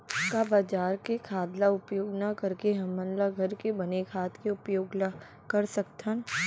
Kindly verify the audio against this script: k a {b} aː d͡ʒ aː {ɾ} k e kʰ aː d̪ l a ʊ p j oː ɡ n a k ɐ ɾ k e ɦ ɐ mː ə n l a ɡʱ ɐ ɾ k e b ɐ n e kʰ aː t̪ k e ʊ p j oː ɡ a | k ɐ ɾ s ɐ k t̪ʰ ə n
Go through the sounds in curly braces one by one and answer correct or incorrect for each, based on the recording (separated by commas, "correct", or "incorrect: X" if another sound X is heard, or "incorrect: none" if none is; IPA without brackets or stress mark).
correct, correct